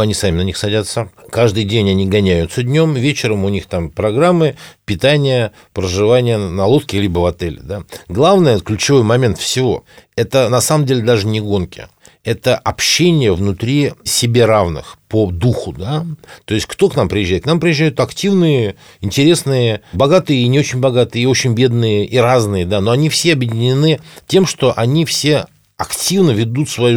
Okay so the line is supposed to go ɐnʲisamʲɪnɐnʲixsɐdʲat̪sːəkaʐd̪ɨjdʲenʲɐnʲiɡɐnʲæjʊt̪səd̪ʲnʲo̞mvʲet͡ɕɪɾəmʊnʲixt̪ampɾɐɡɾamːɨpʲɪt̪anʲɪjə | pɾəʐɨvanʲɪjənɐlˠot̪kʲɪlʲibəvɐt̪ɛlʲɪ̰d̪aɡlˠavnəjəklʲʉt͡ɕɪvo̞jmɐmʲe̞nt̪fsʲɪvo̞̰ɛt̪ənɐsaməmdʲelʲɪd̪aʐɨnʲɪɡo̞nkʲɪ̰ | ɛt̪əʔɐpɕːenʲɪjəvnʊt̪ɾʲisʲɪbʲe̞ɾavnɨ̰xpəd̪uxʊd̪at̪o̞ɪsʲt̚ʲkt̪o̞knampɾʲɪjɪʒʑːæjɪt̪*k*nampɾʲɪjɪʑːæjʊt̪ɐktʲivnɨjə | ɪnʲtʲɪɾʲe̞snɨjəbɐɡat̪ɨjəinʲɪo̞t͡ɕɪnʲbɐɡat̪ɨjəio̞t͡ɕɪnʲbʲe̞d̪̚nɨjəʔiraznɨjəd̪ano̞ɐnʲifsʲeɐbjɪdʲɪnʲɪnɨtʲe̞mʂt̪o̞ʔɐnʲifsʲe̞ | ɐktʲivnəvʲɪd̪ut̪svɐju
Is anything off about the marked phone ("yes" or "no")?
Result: no